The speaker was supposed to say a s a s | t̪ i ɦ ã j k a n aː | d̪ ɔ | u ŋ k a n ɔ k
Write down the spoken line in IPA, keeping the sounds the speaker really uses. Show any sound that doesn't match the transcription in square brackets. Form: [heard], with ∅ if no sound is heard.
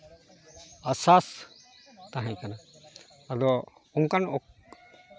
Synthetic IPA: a s a s | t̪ [a] ɦ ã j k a n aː | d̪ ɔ | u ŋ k a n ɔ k